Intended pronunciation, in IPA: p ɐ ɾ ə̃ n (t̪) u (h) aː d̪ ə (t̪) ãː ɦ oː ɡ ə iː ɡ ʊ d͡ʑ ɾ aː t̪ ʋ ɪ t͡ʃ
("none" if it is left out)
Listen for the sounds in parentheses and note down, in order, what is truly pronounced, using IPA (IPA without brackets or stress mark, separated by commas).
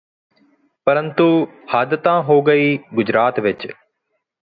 t̪, h, t̪